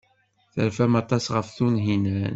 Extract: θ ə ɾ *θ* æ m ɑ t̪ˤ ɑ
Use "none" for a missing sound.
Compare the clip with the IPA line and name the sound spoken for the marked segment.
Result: f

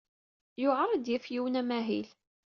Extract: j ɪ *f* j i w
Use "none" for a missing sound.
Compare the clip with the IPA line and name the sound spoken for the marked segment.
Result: f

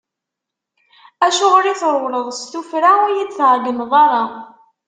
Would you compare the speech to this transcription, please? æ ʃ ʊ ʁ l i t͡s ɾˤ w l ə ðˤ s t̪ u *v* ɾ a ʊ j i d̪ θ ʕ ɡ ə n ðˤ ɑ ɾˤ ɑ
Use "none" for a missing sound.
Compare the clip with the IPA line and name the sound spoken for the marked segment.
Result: f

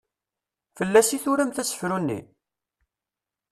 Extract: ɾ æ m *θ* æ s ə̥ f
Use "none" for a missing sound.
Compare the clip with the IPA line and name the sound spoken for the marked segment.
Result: θ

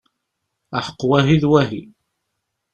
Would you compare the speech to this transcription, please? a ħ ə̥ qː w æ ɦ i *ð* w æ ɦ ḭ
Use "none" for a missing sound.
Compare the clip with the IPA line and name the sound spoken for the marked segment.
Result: ð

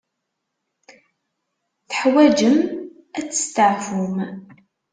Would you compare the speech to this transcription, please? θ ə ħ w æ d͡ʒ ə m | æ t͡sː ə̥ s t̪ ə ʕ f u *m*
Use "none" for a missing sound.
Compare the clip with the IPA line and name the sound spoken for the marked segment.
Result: m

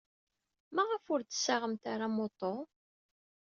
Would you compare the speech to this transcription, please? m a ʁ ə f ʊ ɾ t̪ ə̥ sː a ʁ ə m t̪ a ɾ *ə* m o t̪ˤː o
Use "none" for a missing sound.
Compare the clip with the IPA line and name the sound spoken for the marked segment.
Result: a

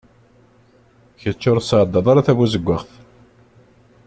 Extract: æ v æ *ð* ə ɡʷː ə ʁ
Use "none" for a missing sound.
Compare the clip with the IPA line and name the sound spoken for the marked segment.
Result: z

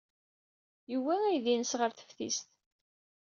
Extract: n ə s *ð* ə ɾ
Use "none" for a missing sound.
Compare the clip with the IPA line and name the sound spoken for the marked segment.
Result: ʁ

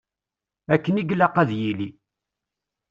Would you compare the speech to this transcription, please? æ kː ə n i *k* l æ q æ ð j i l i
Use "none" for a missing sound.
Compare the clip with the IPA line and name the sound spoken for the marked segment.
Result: ɡ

